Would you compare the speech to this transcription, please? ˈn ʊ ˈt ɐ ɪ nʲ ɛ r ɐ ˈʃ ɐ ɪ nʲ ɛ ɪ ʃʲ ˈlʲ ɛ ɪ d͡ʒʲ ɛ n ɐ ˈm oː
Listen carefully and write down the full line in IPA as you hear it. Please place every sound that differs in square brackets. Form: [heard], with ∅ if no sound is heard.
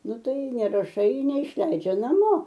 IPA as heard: ˈn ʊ ˈt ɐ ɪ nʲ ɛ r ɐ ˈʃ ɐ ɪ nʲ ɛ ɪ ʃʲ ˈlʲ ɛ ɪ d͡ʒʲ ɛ n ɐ ˈm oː